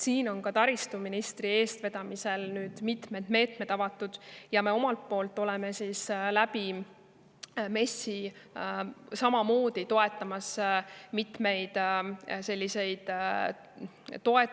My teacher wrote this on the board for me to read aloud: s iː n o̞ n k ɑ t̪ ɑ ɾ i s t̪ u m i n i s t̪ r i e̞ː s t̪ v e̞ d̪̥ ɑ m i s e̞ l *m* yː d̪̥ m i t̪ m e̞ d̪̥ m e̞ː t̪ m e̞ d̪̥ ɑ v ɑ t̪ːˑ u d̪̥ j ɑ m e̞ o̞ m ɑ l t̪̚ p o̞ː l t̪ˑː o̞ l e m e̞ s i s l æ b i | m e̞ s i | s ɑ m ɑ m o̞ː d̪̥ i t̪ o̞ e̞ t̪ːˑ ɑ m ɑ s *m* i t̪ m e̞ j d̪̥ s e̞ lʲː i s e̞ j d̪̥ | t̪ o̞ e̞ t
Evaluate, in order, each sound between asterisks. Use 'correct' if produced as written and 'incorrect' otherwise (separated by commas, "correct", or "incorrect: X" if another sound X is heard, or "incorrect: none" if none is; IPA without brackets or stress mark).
incorrect: n, correct